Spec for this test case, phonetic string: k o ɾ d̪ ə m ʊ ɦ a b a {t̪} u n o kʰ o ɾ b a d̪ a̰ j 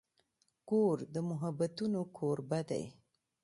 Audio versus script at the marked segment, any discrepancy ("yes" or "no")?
no